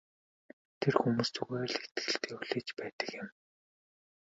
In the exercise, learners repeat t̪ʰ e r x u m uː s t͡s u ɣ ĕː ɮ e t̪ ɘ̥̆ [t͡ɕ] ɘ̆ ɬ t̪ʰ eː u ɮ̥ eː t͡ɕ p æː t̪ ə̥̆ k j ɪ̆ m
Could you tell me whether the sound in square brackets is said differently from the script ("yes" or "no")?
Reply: yes